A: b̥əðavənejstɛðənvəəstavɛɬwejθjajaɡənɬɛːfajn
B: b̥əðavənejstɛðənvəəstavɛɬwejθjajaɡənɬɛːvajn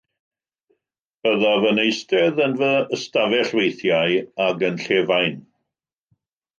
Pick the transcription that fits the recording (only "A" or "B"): B